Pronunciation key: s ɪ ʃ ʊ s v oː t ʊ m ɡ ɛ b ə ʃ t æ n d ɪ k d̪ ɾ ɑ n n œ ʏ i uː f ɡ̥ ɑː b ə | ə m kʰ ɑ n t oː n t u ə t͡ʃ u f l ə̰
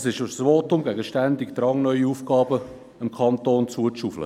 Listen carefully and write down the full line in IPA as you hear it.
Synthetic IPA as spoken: s ɪ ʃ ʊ s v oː t ʊ m ɡ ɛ ɡ ə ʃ t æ n d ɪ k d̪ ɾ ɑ ŋ n œ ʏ i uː f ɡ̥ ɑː b ə | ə m kʰ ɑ n t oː n t͡s u ə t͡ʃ u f l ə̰